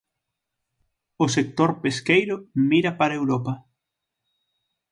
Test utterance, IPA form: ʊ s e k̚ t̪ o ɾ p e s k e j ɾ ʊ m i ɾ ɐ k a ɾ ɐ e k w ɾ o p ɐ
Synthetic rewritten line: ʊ s e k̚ t̪ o ɾ p e s k e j ɾ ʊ m i ɾ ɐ p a ɾ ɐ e w ɾ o p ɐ